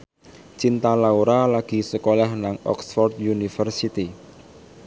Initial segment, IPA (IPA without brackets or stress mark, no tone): t͡ʃ